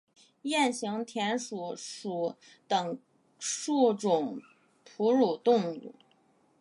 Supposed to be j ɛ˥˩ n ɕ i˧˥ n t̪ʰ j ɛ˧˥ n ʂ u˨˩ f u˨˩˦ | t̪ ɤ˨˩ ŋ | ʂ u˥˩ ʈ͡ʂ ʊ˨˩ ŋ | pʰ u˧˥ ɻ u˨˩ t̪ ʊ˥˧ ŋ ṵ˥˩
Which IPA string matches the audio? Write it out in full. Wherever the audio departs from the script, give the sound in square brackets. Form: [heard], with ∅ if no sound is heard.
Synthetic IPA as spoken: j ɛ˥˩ n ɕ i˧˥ [ŋ] t̪ʰ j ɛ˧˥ n ʂ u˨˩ [ʂ] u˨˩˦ | t̪ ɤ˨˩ ŋ | ʂ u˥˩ ʈ͡ʂ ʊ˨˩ ŋ | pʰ u˧˥ ɻ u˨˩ t̪ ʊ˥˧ ŋ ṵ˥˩